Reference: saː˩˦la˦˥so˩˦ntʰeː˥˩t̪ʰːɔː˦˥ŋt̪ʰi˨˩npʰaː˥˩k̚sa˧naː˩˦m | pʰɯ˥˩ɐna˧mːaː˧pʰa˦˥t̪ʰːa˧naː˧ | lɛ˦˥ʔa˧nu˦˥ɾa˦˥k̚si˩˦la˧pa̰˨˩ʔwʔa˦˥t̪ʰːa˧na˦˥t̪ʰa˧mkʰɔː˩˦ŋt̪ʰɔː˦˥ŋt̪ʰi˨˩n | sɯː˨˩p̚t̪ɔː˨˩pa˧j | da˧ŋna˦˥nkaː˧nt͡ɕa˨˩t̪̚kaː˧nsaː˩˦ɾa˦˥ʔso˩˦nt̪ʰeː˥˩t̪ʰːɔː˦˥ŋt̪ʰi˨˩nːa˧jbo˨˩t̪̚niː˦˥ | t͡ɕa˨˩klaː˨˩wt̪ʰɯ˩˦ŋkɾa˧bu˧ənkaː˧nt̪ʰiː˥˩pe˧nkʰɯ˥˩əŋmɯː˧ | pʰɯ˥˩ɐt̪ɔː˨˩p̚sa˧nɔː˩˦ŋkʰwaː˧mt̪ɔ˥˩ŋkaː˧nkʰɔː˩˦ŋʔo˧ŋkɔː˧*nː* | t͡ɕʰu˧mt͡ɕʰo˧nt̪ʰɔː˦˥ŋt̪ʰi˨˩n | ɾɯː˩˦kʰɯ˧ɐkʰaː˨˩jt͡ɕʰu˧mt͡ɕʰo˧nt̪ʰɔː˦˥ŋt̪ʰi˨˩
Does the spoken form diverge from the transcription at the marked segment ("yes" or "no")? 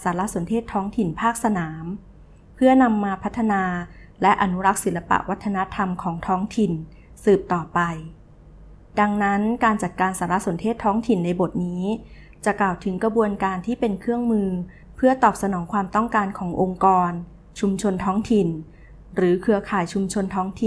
yes